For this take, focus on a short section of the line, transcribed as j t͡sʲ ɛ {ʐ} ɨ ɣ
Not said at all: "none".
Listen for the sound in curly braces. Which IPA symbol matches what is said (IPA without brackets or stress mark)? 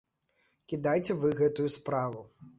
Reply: v